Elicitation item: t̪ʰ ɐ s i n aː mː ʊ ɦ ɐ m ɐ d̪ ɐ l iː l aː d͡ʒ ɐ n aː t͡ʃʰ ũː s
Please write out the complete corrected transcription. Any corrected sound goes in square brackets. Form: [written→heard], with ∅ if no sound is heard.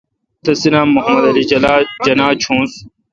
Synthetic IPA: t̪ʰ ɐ s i n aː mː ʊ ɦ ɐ m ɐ d̪ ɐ l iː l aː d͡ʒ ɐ n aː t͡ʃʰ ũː s